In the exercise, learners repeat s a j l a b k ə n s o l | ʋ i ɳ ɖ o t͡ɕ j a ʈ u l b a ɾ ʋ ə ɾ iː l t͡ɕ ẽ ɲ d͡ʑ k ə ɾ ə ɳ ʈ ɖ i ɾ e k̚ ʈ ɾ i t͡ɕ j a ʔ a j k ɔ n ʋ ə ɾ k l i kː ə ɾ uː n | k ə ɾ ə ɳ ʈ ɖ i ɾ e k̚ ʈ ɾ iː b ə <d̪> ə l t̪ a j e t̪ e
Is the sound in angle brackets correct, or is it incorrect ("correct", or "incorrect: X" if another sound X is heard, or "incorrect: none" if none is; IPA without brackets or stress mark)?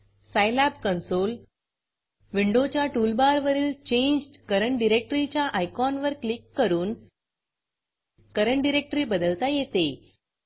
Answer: correct